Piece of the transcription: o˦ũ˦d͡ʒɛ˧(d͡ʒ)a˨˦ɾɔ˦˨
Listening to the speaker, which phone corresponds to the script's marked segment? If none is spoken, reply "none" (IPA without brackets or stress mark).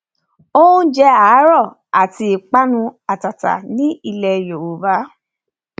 none